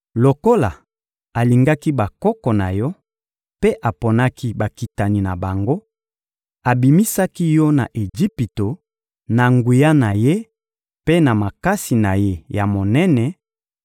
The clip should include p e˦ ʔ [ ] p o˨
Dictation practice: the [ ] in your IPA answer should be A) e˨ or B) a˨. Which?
B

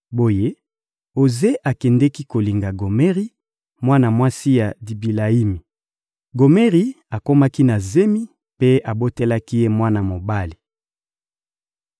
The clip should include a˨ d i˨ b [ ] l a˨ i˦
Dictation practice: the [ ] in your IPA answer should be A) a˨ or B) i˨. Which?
B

